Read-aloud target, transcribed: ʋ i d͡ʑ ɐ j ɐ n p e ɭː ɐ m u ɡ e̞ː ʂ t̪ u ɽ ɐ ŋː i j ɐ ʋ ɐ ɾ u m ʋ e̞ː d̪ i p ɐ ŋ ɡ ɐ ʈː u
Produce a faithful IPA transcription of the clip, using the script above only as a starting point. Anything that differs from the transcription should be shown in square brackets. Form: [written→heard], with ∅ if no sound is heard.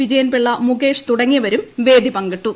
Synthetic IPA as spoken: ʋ i d͡ʑ ɐ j ɐ n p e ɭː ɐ m u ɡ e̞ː ʂ t̪ u ɽ ɐ ŋː i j ɐ ʋ ɐ ɾ u m ʋ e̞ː d̪ i p ɐ ŋ ɡ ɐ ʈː u